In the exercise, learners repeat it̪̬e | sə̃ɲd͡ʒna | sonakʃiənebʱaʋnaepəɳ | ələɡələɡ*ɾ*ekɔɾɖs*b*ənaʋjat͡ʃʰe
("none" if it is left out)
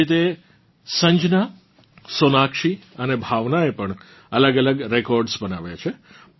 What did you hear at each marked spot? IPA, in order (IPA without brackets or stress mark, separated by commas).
ɾ, b